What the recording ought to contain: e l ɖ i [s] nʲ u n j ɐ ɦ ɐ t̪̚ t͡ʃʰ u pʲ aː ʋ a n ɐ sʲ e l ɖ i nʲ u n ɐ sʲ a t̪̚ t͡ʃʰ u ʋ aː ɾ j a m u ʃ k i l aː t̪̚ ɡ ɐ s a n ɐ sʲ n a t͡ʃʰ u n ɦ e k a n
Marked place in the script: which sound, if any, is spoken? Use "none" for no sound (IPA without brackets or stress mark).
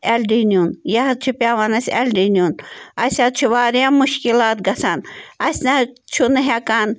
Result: none